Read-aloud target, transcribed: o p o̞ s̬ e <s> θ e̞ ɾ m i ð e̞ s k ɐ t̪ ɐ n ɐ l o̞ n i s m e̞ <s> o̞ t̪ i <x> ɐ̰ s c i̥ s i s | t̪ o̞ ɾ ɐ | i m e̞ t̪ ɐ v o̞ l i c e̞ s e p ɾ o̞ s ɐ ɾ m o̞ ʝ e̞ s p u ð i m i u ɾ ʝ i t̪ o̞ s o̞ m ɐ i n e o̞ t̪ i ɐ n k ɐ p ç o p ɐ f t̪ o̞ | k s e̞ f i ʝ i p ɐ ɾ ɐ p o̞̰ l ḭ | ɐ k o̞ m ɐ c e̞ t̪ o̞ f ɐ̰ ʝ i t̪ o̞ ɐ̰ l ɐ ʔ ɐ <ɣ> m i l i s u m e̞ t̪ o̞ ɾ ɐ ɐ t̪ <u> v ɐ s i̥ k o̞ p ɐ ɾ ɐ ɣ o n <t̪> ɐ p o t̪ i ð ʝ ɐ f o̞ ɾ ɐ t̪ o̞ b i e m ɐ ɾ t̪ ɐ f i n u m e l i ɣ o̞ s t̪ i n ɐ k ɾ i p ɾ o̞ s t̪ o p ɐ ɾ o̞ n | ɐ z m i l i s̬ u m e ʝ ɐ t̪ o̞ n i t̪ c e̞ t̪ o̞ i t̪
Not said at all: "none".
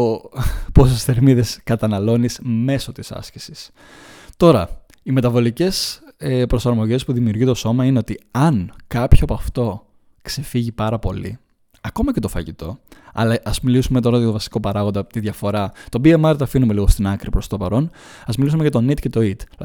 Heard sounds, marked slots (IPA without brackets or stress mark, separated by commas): s, s, s, z, o, d̪